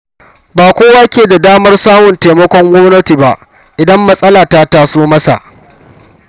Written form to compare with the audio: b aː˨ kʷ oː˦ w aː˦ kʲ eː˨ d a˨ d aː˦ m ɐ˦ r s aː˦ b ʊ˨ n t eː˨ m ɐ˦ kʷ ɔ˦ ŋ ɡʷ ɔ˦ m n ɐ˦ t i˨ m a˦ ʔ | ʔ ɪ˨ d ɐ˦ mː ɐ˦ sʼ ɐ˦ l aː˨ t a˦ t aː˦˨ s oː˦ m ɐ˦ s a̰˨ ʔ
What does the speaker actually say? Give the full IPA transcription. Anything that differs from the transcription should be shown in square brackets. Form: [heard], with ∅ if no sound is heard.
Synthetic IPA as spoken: b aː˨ kʷ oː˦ w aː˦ kʲ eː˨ d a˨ d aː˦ m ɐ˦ r s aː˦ [m] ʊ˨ n t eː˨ m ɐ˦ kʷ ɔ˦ ŋ ɡʷ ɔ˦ m n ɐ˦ t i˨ [b] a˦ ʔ | ʔ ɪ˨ d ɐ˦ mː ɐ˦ sʼ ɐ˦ l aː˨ t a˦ t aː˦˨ s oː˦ m ɐ˦ s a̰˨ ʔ